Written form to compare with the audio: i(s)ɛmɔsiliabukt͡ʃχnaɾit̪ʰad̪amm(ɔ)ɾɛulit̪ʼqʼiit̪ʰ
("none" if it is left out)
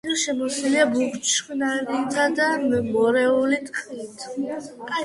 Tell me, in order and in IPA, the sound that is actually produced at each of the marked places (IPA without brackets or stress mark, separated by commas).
ʃ, ɔ